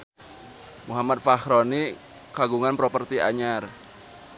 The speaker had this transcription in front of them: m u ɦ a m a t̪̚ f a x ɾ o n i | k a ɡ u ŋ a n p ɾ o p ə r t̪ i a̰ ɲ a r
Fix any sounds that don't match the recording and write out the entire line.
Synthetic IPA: m u ɦ a m a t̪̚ f a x ɾ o n i | k a ɡ u ŋ a n p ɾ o p ə r t̪ i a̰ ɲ a r